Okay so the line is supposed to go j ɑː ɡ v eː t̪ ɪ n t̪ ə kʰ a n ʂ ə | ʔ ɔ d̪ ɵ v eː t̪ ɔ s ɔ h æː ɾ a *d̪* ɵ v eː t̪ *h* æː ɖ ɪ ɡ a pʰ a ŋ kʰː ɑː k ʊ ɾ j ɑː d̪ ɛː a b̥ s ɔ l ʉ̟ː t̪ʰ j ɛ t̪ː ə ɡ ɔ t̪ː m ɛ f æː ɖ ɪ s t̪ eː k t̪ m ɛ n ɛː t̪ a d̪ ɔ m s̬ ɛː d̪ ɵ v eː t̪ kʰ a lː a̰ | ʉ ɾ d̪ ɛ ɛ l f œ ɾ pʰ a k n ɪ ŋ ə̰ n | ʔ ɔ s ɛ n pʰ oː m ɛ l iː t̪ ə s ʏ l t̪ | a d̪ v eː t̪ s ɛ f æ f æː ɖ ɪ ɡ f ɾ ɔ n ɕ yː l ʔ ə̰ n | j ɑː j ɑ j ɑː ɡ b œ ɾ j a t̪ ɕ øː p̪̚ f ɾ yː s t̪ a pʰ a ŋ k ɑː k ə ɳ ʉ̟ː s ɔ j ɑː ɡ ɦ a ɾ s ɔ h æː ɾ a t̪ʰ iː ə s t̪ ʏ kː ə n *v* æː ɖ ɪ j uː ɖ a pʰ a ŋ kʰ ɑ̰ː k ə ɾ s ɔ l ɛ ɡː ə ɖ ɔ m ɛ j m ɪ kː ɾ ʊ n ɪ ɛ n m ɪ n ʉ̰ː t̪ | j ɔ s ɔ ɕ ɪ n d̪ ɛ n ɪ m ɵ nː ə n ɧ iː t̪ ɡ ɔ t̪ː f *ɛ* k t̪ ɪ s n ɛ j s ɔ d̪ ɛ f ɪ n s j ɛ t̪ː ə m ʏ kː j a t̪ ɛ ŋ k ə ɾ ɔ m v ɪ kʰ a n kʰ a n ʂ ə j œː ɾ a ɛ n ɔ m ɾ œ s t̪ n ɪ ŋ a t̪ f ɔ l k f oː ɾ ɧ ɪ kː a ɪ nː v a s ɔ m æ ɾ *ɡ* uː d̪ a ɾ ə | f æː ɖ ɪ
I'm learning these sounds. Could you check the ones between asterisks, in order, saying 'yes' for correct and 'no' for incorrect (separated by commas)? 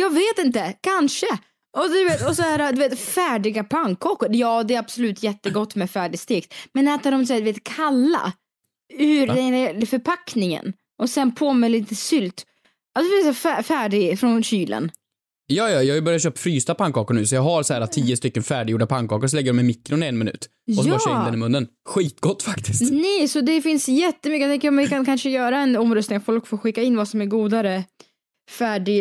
yes, no, no, no, yes